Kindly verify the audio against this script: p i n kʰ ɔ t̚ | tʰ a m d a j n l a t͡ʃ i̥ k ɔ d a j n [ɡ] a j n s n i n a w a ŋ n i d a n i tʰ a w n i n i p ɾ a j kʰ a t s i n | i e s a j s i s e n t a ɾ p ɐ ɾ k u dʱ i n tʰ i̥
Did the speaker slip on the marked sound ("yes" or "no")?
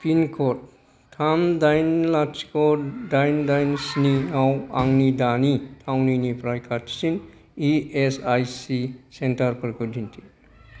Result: yes